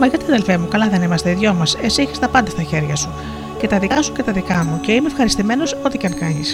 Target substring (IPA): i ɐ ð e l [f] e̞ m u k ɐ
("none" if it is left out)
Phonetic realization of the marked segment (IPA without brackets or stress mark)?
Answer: f